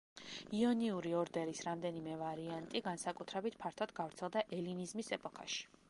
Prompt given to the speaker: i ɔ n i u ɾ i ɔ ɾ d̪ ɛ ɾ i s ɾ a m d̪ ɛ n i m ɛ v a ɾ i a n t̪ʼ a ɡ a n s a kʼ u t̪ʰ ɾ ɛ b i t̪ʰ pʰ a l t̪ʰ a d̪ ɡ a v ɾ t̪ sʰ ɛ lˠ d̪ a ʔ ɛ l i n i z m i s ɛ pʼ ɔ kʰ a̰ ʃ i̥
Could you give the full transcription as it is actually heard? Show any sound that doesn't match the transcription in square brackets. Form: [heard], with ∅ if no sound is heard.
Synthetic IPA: i ɔ n i u ɾ i ɔ ɾ d̪ ɛ ɾ i s ɾ a m d̪ ɛ n i m ɛ v a ɾ i a n t̪ʼ [i] ɡ a n s a kʼ u t̪ʰ ɾ ɛ b i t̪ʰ pʰ a [ɾ] t̪ʰ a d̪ ɡ a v ɾ t̪ sʰ ɛ lˠ d̪ a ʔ ɛ l i n i z m i s ɛ pʼ ɔ kʰ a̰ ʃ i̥